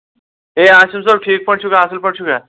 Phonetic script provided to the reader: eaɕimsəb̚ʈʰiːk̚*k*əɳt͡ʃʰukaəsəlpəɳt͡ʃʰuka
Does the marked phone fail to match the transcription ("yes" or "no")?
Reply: yes